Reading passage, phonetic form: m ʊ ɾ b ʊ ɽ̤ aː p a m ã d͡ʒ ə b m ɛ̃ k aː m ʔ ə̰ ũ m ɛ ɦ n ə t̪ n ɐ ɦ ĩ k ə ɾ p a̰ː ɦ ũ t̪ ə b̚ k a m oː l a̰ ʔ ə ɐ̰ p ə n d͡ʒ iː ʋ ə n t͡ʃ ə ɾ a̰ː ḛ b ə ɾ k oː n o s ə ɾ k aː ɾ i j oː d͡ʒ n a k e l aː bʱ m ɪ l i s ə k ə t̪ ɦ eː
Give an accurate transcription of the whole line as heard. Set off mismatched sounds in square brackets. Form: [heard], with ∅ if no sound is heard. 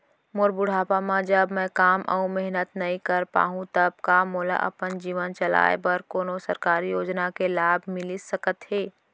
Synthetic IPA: m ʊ ɾ b ʊ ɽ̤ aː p a m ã d͡ʒ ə b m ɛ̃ k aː m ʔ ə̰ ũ m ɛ ɦ n ə t̪ n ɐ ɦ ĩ k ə ɾ p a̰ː ɦ ũ t̪ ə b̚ k a m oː l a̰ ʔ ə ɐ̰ p ə n d͡ʒ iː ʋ ə n t͡ʃ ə [l] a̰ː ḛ b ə ɾ k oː n o s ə ɾ k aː ɾ i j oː d͡ʒ n a k e l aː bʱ m ɪ l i s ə k ə t̪ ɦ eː